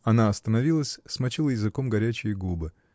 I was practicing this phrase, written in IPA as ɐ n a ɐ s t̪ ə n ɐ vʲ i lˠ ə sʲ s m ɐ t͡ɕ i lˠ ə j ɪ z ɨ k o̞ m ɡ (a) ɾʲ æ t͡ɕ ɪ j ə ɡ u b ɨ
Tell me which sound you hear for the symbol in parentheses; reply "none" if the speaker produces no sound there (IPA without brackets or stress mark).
ɐ